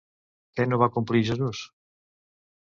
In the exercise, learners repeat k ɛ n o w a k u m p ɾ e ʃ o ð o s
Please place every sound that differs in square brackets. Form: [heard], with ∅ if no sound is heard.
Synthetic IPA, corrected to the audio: k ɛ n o [β] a k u m p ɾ [i] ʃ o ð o s